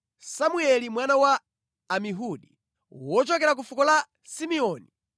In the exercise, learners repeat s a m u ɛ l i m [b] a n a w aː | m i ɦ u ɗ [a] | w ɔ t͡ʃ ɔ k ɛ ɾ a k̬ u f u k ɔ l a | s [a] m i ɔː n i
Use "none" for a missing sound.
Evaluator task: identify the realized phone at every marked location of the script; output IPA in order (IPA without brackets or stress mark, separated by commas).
w, i, i